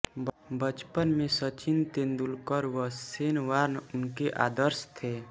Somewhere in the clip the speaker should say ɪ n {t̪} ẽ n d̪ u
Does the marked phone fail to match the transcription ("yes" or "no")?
no